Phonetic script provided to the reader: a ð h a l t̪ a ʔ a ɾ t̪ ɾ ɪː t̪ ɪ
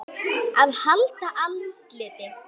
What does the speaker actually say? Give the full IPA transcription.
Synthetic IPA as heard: a ð h a l t̪ a ʔ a l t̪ l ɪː t̪ ɪ